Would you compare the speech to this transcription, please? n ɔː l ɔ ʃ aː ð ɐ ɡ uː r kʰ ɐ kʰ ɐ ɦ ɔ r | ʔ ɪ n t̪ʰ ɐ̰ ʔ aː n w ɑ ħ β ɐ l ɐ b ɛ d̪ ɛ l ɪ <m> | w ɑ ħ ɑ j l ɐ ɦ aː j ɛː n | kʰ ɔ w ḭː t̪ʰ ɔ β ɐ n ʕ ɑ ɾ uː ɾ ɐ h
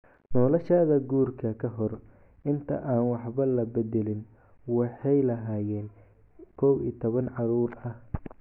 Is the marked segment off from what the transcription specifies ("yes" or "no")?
yes